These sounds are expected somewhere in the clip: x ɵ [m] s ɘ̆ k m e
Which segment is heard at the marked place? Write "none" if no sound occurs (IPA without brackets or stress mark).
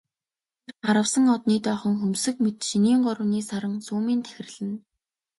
m